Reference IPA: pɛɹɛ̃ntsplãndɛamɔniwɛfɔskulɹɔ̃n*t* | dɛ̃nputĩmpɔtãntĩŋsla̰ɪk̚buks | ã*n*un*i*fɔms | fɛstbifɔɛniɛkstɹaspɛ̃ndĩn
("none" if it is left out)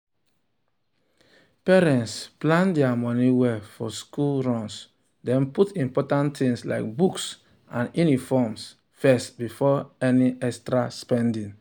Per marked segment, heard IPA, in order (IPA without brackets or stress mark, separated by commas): s, n, i